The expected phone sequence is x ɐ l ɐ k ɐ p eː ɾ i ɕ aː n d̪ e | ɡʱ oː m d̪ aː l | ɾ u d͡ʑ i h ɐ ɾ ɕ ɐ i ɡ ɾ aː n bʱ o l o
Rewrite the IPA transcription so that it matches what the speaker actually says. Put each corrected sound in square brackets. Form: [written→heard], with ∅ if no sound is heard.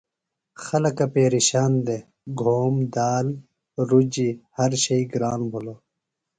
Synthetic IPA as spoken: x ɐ l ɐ k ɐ p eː ɾ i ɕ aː n d̪ e | ɡʱ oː m d̪ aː l | ɾ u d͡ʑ i h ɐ ɾ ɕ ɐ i ɡ ɾ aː n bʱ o l o